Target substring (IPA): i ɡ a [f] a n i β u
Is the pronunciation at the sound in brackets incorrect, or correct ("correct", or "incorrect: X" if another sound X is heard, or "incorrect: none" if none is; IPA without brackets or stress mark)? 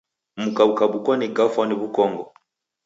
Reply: correct